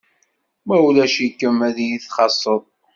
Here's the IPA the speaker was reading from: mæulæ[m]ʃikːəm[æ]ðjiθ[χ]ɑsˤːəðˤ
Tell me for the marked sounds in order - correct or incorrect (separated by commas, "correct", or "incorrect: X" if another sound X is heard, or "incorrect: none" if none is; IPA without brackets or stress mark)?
incorrect: none, correct, correct